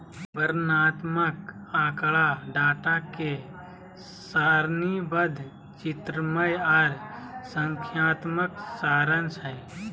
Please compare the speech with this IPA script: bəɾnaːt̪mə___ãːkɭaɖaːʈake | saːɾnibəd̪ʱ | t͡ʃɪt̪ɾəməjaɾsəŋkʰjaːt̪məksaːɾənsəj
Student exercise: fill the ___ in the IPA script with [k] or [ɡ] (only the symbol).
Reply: k